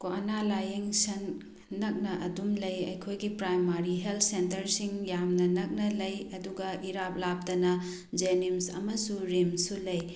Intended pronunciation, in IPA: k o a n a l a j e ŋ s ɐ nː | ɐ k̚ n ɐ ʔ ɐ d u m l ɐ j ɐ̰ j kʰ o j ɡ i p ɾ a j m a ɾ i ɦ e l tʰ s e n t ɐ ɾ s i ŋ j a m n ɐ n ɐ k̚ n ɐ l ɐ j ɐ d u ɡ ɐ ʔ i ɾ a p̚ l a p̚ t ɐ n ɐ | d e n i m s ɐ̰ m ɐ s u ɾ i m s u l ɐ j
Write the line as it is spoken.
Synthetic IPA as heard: k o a n a l a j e ŋ s ɐ nː | ɐ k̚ n ɐ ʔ ɐ d u m l ɐ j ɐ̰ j kʰ o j ɡ i p ɾ a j m a ɾ i ɦ e l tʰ s e n t ɐ ɾ s i ŋ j a m n ɐ n ɐ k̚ n ɐ l ɐ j ɐ d u ɡ ɐ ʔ i ɾ a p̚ l a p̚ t ɐ n ɐ | d͡ʒ e n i m s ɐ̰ m ɐ s u ɾ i m s u l ɐ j